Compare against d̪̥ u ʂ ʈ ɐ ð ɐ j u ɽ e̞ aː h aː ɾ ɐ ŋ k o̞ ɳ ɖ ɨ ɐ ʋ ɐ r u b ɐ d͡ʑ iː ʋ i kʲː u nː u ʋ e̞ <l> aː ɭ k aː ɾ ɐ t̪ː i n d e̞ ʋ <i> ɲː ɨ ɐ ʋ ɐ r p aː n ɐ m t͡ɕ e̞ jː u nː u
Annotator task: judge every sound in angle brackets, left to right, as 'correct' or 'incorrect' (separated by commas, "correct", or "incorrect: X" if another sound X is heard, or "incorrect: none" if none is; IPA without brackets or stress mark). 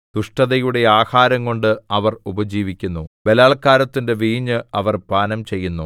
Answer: correct, incorrect: iː